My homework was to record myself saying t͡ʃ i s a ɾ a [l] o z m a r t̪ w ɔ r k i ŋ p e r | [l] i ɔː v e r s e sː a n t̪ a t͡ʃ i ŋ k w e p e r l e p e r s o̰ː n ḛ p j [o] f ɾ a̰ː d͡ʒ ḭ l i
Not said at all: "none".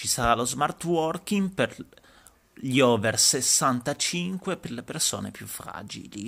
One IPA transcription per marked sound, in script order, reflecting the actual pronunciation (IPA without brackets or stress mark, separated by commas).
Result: l, ʎ, u